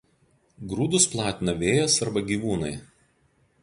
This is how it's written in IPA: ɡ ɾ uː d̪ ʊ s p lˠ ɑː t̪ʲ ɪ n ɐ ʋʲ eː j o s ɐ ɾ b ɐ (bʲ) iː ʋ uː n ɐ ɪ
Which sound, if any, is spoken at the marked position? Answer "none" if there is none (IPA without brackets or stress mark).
ɡʲ